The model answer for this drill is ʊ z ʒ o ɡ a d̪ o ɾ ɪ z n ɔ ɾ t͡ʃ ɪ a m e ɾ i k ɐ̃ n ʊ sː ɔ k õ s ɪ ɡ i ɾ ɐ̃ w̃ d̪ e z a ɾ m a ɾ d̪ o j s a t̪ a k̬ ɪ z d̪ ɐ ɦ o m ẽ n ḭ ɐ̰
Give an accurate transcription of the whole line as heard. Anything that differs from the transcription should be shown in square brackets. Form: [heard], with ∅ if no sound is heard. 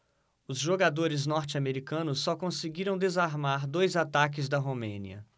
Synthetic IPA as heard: ʊ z ʒ o ɡ a d̪ o ɾ ɪ z n ɔ ɾ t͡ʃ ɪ a m e ɾ i k ɐ̃ n ʊ sː ɔ k õ s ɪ ɡ i ɾ ɐ̃ w̃ d̪ e z a ɾ m a ɾ d̪ o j [z] a t̪ a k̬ ɪ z d̪ ɐ ɦ o m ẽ n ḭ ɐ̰

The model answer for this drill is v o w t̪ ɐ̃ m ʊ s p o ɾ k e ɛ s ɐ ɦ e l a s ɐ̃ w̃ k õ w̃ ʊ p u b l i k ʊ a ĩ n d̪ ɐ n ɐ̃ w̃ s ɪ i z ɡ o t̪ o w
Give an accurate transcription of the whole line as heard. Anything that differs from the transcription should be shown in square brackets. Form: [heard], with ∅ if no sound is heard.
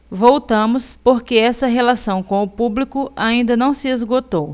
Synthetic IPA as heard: v o w t̪ ɐ̃ m ʊ s p o ɾ k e ɛ s ɐ ɦ e l a s ɐ̃ w̃ k õ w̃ ʊ p u b l i k ʊ a ĩ n d̪ ɐ n ɐ̃ w̃ s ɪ [e] z ɡ o t̪ o w

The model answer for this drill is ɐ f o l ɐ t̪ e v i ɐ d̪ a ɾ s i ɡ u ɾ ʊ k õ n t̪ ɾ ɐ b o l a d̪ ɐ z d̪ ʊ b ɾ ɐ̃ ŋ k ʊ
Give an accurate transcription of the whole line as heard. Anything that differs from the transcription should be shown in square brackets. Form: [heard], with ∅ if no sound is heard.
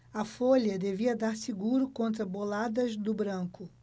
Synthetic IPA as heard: ɐ f o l ɐ [d̪] e v i ɐ d̪ a ɾ s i ɡ u ɾ ʊ k õ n t̪ ɾ ɐ b o l a d̪ ɐ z d̪ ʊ b ɾ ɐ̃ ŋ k ʊ

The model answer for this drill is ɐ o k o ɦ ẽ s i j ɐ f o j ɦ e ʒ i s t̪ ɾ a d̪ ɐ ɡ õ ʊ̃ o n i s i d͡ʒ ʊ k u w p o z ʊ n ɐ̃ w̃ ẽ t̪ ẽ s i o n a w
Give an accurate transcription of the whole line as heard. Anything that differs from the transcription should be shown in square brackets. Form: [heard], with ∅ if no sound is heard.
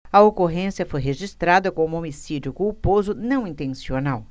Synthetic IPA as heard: ɐ o k o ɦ ẽ s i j ɐ f o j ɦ e ʒ i s t̪ ɾ a d̪ ɐ [k] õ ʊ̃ o [m] i s i d͡ʒ ʊ k u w p o z ʊ n ɐ̃ w̃ [ĩ] t̪ ẽ s i o n a w

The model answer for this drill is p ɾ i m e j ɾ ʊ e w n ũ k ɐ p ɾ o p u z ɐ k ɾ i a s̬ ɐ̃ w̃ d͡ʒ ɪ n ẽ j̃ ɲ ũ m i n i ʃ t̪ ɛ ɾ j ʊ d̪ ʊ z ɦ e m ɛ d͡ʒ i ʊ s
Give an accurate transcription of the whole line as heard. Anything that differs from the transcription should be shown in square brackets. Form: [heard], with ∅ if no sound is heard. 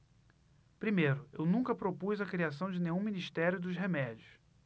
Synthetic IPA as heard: p ɾ i m e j ɾ ʊ e w n ũ k ɐ p ɾ o p u z ɐ k ɾ i a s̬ ɐ̃ w̃ d͡ʒ ɪ n ẽ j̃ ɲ ũ m i n i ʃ t̪ ɛ ɾ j ʊ d̪ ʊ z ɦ e m ɛ d͡ʒ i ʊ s

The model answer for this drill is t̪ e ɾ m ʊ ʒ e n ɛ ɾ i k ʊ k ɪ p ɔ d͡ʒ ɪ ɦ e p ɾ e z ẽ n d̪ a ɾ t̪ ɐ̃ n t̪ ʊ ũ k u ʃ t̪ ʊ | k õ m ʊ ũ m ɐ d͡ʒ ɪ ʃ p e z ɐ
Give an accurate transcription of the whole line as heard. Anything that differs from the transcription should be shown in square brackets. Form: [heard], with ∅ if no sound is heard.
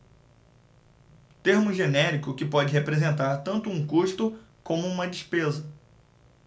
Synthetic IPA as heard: t̪ e ɾ m ʊ ʒ e n ɛ ɾ i k ʊ k ɪ p ɔ d͡ʒ ɪ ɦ e p ɾ e z ẽ n [t̪] a ɾ t̪ ɐ̃ n t̪ ʊ ũ k u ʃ t̪ ʊ | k õ m ʊ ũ m ɐ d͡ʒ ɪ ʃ p e z ɐ

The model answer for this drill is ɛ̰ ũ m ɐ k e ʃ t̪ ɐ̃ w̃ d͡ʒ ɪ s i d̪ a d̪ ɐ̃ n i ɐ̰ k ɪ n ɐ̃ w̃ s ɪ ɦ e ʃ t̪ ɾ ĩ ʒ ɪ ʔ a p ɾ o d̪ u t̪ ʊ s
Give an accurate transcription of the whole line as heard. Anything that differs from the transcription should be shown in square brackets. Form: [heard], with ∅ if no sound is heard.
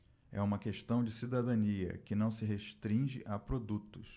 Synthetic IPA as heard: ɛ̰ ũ m ɐ k e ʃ t̪ ɐ̃ w̃ d͡ʒ ɪ s i d̪ a d̪ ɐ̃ n i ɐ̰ k ɪ n ɐ̃ w̃ s ɪ ɦ e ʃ t̪ ɾ ĩ ʒ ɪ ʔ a p ɾ o d̪ u t̪ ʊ s

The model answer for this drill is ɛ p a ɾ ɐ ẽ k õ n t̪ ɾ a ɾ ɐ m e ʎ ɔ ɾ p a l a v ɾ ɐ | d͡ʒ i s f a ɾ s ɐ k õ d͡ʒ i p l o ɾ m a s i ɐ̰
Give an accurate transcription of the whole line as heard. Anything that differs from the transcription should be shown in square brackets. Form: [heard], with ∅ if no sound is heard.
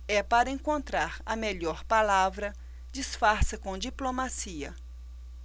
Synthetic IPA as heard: ɛ p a ɾ ɐ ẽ k õ n t̪ ɾ a ɾ ɐ m e ʎ ɔ ɾ p a l a v ɾ ɐ | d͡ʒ i s f a ɾ s ɐ k õ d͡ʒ i p l o [∅] m a s i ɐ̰

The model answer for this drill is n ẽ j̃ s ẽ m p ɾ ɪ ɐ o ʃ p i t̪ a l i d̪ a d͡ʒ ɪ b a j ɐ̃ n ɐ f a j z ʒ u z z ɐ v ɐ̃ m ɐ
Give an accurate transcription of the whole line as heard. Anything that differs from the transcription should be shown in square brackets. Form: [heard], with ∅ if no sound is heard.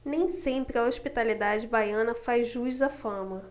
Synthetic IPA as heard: n ẽ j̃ s ẽ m p ɾ ɪ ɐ o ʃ p i t̪ a l i d̪ a d͡ʒ ɪ b a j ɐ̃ n ɐ f a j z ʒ u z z ɐ [f] ɐ̃ m ɐ

